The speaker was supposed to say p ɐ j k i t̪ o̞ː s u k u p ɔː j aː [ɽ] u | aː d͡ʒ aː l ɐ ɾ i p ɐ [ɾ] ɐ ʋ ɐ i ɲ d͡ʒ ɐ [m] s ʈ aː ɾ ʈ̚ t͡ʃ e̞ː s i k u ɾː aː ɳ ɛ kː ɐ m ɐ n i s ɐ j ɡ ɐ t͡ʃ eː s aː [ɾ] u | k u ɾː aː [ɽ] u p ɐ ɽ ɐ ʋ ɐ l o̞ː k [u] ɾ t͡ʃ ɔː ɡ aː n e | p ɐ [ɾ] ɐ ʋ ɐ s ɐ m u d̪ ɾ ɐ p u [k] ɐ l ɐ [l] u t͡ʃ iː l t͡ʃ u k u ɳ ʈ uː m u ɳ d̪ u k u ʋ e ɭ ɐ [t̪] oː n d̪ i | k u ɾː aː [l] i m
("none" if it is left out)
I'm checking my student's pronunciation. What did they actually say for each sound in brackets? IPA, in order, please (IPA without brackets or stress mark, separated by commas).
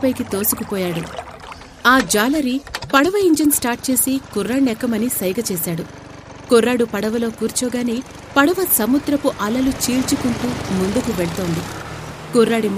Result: ɽ, ɽ, n, ɽ, ɽ, uː, ɽ, ʔ, l, t̪, ɽ